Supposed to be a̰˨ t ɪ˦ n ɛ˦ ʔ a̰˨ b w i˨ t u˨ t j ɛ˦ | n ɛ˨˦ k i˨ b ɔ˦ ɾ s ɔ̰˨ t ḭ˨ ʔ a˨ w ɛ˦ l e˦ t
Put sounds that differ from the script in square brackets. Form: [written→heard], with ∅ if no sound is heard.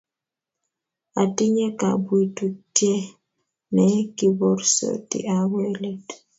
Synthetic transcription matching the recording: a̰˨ t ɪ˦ [n→ɲ] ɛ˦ [ʔ→k] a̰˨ b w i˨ t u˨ t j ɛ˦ | n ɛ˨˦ k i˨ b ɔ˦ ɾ s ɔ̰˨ t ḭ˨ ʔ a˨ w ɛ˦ l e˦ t